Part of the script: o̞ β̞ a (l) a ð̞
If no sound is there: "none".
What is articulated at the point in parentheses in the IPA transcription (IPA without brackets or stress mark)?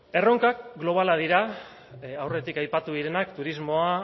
l